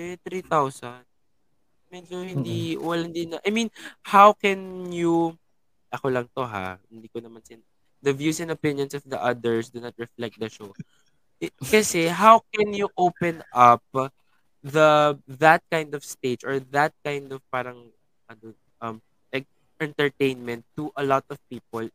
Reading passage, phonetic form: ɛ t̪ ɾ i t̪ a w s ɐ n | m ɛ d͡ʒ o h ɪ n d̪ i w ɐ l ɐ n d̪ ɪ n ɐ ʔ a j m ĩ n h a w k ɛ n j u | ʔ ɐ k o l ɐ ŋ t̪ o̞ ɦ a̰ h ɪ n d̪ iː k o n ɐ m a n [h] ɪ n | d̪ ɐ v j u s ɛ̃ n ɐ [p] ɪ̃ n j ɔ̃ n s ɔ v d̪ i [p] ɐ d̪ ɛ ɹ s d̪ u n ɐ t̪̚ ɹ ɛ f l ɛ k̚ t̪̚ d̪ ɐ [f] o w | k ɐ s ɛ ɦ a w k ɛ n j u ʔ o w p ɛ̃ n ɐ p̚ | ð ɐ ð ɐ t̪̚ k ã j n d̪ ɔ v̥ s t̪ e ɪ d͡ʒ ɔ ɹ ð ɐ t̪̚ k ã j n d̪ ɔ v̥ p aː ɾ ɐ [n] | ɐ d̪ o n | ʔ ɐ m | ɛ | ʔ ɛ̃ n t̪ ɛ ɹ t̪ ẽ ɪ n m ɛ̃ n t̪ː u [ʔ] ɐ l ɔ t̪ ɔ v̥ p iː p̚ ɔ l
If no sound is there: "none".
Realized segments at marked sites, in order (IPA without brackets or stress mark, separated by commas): s, p, ʔ, ʃ, ŋ, ʔ